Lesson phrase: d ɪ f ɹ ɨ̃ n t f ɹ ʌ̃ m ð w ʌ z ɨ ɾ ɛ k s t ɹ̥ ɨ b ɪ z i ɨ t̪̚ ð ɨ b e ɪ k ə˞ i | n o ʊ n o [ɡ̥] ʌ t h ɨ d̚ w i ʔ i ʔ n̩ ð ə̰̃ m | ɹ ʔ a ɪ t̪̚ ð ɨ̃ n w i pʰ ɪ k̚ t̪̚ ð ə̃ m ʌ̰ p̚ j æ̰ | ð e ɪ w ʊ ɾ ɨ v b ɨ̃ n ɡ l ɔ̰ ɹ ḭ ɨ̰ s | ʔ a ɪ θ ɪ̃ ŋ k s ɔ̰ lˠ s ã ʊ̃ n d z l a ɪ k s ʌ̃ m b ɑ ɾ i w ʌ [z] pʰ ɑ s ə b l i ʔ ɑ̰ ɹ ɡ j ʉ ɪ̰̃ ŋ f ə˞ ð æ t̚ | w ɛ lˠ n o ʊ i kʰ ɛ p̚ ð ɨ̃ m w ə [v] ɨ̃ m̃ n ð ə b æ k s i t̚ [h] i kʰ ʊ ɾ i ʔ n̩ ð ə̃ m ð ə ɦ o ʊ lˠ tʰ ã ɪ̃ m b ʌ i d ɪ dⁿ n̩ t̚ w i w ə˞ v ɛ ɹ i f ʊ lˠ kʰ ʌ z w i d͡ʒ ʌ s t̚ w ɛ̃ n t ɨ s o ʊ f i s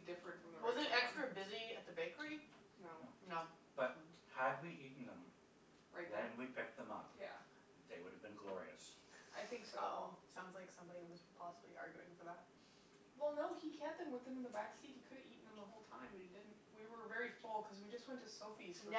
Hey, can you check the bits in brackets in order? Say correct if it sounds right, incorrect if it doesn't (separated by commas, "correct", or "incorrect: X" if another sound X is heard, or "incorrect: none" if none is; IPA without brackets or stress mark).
incorrect: b̥, correct, incorrect: ð, correct